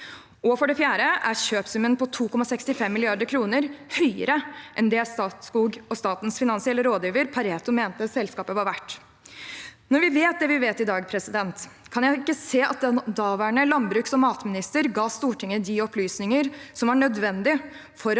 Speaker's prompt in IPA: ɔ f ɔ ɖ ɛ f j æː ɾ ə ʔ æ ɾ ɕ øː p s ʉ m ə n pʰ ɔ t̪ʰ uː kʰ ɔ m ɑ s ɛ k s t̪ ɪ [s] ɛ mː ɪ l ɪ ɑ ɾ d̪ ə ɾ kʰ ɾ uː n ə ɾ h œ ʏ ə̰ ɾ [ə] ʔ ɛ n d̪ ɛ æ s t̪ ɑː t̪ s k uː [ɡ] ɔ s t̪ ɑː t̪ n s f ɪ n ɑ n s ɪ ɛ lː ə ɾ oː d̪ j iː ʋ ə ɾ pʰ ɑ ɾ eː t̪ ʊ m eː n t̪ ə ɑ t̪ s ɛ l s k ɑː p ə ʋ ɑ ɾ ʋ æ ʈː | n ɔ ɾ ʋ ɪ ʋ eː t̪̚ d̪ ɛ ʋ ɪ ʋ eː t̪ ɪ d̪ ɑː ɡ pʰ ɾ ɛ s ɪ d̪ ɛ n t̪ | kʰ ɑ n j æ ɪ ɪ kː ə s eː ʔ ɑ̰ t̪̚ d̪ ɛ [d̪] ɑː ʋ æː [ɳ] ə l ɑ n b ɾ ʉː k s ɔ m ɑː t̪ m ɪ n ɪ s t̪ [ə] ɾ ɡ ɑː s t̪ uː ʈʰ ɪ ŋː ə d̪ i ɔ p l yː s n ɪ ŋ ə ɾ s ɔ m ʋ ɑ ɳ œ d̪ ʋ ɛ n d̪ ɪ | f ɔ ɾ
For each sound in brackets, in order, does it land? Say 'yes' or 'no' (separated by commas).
no, yes, yes, yes, yes, yes